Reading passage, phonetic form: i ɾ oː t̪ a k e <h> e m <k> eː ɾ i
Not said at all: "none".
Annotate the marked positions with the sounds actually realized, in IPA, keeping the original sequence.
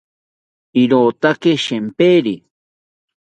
ʃ, p

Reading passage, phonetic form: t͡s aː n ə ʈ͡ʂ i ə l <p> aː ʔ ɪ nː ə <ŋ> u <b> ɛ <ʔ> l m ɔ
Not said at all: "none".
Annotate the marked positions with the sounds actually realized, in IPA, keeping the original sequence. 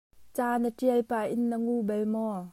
p, ŋ, b, none

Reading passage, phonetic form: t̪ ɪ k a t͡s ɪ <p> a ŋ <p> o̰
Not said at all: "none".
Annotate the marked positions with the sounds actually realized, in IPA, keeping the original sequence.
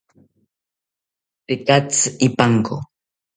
p, k

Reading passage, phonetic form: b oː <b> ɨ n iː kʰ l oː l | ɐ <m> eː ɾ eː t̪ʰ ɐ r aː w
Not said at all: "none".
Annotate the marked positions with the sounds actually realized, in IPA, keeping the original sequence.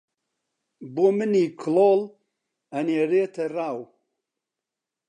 m, n

